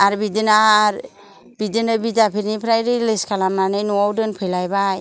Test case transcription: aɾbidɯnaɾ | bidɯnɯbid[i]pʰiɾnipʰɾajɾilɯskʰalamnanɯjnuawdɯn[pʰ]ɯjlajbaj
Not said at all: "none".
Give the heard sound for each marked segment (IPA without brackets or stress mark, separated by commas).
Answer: a, pʰ